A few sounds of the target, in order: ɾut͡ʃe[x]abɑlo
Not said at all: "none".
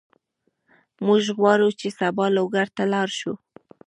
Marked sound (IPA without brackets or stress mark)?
s